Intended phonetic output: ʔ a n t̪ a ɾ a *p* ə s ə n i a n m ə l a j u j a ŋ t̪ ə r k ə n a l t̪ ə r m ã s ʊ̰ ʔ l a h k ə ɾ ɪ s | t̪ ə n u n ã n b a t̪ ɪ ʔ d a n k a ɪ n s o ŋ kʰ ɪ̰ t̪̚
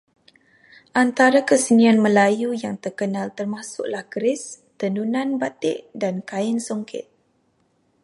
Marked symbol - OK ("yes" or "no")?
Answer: no